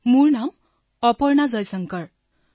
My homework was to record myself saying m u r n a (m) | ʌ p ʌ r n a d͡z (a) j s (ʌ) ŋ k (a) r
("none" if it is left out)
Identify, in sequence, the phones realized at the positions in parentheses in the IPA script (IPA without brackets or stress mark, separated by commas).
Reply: m, ʌ, ʌ, ʌ